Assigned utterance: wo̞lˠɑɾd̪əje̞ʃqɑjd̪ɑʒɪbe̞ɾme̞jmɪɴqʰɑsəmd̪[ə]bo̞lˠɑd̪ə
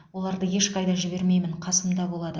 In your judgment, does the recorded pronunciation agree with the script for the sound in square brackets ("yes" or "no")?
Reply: no